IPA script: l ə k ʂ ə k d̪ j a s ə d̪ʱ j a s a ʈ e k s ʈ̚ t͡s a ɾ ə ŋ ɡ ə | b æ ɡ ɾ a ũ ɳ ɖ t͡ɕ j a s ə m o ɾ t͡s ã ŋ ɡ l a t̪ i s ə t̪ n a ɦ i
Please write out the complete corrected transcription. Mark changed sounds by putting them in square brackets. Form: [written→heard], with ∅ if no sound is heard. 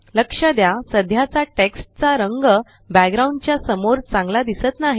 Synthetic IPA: l ə k ʂ ə [k→∅] d̪ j a s ə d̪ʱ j a [s→t͡s] a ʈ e k s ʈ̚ t͡s a ɾ ə ŋ ɡ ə | b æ ɡ ɾ a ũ ɳ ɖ t͡ɕ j a s ə m o ɾ t͡s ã ŋ ɡ l a [t̪→d̪] i s ə t̪ n a ɦ i